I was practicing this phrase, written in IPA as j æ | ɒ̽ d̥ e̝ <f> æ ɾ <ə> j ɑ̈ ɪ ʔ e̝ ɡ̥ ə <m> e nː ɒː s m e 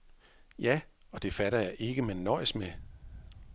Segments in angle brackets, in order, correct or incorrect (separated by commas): correct, incorrect, correct